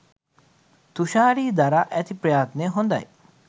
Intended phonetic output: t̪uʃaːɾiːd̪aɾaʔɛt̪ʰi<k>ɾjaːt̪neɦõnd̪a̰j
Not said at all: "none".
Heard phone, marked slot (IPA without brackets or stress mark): p